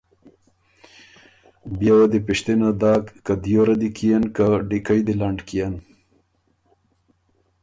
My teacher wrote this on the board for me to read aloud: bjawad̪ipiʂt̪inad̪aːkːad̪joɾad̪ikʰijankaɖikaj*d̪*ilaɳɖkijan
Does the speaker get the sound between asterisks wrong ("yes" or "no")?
no